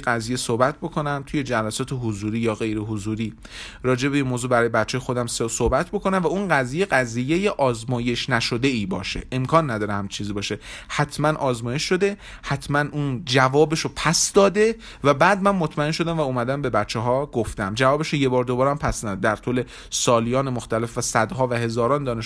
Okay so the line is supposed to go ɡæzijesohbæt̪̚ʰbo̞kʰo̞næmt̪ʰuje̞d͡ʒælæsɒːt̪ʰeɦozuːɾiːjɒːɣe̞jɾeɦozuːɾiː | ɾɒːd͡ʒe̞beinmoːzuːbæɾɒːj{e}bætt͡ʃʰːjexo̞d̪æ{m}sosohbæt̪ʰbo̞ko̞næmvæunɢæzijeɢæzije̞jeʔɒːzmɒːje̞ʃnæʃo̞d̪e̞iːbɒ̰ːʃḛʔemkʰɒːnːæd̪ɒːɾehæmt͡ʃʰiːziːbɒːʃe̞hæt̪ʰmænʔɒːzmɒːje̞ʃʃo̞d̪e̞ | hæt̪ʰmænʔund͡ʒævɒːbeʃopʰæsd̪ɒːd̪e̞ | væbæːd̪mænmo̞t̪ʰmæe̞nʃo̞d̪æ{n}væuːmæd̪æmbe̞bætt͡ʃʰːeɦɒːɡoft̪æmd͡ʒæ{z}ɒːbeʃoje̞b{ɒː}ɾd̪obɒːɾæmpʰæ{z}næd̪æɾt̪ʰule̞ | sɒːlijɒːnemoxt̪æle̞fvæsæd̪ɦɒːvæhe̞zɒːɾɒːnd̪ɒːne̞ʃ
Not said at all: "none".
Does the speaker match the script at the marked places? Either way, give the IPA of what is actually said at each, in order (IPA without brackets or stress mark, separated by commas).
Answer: e, m, m, v, ɒː, s